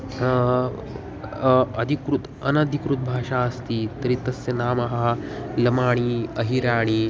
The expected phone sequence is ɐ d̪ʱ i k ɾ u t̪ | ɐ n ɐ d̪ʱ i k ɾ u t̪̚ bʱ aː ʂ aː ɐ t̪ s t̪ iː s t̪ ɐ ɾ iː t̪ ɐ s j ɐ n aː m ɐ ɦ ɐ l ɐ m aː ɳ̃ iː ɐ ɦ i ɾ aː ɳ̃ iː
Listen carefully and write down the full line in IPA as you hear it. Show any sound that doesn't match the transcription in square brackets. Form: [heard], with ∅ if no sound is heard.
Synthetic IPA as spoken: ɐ d̪ʱ i k ɾ u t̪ | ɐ n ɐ d̪ʱ i k ɾ u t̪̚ bʱ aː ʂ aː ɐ [∅] s t̪ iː [∅] t̪ ɐ ɾ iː t̪ ɐ s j ɐ n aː m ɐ ɦ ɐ l ɐ m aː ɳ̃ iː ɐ ɦ i ɾ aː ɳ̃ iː